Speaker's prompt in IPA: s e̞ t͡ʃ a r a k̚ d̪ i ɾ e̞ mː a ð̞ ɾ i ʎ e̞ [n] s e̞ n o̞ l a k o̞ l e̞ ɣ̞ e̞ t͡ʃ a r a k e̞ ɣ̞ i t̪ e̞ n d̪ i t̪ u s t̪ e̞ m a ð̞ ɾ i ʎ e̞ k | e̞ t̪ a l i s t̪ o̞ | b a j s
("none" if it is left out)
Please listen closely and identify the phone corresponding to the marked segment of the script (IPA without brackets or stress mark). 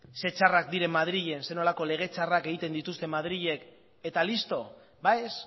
n